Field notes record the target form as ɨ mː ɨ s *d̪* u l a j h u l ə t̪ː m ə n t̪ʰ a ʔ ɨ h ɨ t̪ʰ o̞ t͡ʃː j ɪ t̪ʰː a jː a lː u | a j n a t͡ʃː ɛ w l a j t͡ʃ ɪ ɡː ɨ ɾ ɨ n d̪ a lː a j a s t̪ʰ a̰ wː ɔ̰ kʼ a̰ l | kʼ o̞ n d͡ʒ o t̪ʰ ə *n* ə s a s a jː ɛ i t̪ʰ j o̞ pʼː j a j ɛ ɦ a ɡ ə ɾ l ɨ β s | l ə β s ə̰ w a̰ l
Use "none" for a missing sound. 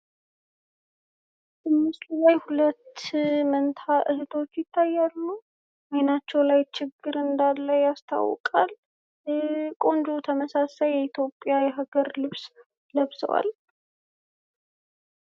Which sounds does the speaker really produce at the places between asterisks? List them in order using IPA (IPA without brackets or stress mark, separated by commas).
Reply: t̪, m